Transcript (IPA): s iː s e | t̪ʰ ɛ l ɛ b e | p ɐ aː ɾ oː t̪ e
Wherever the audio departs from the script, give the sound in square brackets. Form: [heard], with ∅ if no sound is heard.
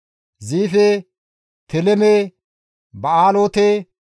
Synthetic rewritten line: [z] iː [f] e | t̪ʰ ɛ l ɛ [m] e | [b] ɐ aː [l] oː t̪ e